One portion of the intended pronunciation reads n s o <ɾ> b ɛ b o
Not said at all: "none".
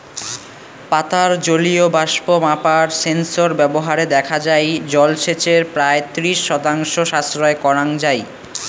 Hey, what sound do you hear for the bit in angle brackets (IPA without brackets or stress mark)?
ɾ